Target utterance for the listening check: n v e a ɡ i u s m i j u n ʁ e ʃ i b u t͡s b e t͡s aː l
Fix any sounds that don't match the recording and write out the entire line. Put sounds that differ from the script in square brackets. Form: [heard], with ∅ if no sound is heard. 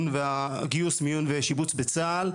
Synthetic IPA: n v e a ɡ i u s m i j u n [v] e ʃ i b u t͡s b e t͡s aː l